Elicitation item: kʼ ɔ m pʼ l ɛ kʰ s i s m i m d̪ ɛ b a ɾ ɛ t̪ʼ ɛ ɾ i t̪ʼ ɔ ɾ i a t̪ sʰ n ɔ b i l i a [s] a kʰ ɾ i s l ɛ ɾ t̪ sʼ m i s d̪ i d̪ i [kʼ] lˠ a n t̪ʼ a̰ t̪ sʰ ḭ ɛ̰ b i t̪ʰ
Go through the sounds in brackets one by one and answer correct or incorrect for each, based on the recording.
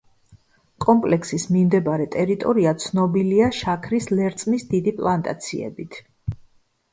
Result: incorrect: ʃ, incorrect: pʼ

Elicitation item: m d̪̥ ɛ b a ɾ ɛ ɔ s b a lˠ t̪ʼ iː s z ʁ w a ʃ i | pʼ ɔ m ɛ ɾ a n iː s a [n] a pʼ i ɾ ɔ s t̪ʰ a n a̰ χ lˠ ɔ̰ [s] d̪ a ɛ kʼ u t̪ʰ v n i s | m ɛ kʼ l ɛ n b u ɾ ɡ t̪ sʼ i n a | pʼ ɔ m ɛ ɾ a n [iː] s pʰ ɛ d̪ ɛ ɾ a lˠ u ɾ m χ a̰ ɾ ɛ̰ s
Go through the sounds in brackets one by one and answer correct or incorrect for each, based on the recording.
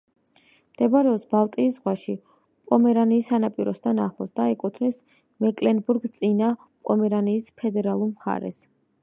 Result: correct, correct, correct

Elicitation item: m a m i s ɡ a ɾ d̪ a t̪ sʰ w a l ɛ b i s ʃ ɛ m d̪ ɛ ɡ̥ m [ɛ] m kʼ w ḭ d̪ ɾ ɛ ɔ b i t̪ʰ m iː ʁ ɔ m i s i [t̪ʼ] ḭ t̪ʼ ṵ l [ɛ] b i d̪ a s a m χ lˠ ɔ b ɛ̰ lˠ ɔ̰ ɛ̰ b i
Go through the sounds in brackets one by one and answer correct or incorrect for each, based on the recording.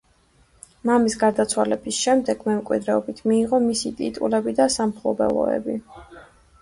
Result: correct, correct, correct

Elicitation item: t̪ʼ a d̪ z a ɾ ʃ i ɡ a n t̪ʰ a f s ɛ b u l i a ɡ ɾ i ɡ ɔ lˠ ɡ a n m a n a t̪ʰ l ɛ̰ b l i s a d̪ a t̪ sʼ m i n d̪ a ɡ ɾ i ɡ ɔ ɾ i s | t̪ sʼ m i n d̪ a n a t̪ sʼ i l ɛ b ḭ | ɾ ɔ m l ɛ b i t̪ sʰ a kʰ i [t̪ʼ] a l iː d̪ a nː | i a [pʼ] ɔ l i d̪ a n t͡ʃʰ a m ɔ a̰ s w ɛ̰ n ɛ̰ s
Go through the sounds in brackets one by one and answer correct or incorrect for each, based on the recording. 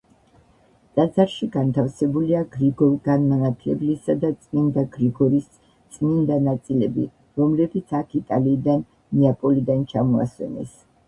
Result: correct, correct

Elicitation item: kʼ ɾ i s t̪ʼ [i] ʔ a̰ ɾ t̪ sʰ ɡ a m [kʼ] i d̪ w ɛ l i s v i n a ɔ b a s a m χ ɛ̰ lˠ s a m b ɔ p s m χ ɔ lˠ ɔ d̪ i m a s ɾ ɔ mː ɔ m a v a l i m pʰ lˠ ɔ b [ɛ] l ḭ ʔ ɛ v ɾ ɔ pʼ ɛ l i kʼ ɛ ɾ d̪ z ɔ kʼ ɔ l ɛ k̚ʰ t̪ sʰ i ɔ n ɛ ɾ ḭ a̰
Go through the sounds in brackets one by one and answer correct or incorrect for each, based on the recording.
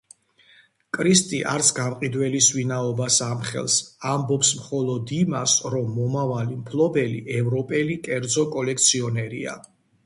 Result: correct, incorrect: qʼ, correct

